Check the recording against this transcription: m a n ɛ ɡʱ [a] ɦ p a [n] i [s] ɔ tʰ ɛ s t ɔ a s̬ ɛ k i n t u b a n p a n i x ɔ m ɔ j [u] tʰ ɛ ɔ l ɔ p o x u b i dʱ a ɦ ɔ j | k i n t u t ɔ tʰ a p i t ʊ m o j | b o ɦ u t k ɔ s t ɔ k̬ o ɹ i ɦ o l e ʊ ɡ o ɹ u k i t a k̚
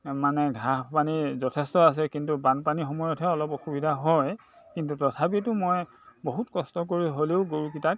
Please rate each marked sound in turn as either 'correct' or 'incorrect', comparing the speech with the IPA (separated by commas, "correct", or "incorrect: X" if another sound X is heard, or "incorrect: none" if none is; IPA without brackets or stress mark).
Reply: correct, correct, incorrect: z, incorrect: ɔ